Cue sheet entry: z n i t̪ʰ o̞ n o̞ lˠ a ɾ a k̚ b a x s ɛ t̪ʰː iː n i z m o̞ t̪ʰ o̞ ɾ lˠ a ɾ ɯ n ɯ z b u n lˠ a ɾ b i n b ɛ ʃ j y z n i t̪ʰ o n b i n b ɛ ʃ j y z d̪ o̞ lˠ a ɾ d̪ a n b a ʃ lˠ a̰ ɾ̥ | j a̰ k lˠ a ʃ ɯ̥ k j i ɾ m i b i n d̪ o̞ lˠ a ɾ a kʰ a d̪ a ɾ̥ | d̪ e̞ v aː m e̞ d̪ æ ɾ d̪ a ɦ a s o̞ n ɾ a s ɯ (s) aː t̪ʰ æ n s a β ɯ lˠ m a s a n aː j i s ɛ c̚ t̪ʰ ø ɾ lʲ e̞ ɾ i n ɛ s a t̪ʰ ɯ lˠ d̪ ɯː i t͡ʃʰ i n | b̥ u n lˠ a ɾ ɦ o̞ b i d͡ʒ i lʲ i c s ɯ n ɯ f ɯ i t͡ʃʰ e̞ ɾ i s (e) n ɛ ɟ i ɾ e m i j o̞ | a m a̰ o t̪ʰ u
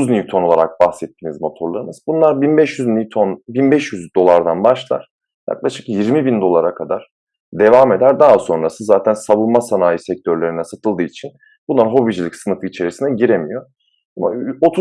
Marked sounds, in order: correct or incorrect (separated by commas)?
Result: incorrect, incorrect